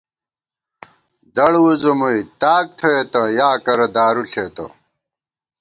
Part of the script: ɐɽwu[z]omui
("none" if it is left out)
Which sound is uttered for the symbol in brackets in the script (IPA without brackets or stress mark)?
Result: z